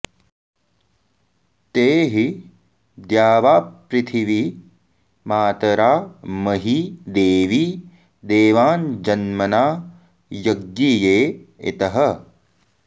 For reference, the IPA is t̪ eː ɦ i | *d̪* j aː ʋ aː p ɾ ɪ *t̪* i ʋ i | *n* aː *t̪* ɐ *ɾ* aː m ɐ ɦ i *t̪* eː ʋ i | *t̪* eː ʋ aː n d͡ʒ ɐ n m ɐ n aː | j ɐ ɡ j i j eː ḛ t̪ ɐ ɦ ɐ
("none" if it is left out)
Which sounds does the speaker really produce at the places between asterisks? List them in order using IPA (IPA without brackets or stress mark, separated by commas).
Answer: d̪, t̪ʰ, m, t̪, ɾ, d̪, d̪